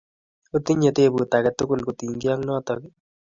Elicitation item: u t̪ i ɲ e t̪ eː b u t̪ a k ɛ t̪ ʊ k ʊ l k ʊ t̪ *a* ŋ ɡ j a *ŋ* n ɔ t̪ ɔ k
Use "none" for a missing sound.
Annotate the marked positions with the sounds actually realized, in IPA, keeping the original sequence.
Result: i, ŋ

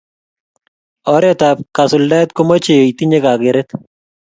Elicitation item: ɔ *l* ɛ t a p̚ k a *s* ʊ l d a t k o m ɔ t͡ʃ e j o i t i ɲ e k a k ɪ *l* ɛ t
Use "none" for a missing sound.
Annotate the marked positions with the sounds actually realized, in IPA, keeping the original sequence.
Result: ɾ, s, ɾ

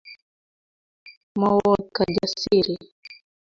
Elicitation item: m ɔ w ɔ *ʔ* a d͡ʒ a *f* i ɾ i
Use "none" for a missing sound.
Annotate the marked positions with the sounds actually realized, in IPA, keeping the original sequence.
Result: k, s

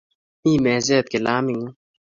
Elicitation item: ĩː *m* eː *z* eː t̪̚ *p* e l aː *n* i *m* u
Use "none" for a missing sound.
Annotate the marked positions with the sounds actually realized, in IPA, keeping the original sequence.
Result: m, z, k, m, ŋ

